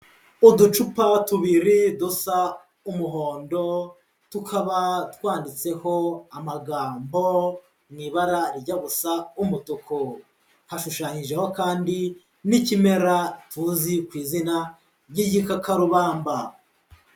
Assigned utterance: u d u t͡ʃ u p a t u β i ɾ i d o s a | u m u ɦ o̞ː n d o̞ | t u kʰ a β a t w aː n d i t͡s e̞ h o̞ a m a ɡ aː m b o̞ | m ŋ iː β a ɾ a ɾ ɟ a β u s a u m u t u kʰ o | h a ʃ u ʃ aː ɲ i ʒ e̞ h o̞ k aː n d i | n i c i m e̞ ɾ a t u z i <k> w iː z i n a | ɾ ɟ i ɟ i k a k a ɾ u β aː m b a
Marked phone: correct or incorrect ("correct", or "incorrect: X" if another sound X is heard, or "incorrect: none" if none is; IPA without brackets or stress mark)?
correct